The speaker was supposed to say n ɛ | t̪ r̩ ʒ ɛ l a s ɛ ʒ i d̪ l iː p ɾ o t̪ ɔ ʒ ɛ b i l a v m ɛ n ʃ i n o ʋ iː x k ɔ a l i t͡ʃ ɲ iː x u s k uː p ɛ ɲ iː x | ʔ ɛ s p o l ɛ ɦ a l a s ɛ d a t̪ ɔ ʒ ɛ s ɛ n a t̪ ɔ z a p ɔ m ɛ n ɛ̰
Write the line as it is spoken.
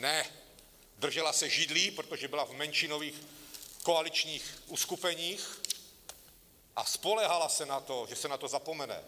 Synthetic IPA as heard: n ɛ | d̪ r̩ ʒ ɛ l a s ɛ ʒ i d̪ l iː p ɾ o t̪ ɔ ʒ ɛ b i l a v m ɛ n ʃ i n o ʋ iː x k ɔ a l i t͡ʃ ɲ iː x u s k u p ɛ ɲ iː x | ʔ a s p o l ɛ ɦ a l a s ɛ n a t̪ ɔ ʒ ɛ s ɛ n a t̪ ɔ z a p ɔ m ɛ n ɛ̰